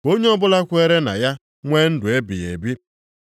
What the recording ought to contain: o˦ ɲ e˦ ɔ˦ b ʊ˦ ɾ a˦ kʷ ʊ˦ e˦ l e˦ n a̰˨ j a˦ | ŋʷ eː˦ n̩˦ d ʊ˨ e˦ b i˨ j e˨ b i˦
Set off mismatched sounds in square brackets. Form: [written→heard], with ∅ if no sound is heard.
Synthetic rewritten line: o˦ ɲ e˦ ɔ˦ b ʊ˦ [ɾ→l] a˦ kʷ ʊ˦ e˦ [l→ɾ] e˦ n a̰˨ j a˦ | ŋʷ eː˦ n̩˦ d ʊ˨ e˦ b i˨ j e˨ b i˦